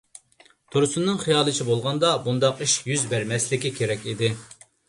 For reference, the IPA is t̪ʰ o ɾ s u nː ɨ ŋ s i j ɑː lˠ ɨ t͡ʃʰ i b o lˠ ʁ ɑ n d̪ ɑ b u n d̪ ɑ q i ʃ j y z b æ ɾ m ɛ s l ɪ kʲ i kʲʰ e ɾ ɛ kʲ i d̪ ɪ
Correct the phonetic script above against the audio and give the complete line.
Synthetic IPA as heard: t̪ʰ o ɾ s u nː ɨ ŋ χ i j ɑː lˠ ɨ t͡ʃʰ i b o lˠ ʁ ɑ n d̪ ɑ b u n d̪ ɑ q i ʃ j y z b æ ɾ m ɛ s l ɪ kʲ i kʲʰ e ɾ ɛ kʲ i d̪ ɪ